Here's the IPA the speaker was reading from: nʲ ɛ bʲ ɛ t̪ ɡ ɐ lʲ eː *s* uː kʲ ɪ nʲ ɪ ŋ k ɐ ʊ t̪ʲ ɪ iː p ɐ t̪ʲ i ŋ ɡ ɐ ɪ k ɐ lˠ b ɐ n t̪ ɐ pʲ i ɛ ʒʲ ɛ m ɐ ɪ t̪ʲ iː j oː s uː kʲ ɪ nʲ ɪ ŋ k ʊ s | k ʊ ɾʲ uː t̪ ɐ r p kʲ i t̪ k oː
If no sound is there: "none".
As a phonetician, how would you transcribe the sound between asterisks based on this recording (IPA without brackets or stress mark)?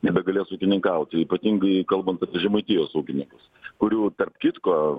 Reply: s